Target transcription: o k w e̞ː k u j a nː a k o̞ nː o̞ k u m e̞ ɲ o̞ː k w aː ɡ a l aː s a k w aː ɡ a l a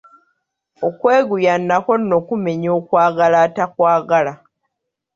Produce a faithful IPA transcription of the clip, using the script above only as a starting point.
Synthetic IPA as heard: o k w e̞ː ɡ u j a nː a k o̞ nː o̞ k u m e̞ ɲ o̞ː k w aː ɡ a l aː t a k w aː ɡ a l a